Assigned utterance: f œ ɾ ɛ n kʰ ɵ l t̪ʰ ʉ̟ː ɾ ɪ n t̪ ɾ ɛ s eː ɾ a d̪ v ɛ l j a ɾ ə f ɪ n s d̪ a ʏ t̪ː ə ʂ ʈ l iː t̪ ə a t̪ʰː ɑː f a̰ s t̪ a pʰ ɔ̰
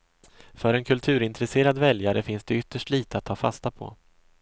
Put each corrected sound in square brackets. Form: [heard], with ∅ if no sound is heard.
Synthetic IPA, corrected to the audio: f œ ɾ ɛ n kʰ ɵ l t̪ʰ ʉ̟ː ɾ ɪ n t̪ ɾ ɛ s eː ɾ a d̪ v ɛ l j a ɾ ə f ɪ n s d̪ [ɛ] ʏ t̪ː ə ʂ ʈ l iː t̪ ə a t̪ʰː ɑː f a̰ s t̪ a pʰ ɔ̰